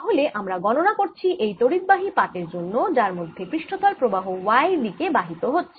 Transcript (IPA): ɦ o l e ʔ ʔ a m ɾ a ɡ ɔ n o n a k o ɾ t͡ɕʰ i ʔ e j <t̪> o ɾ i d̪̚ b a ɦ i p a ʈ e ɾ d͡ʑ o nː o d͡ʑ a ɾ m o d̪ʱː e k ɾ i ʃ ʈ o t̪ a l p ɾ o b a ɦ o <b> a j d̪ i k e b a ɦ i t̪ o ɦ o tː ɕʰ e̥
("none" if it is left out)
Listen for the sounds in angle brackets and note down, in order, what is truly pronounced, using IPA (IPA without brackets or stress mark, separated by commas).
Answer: t̪, w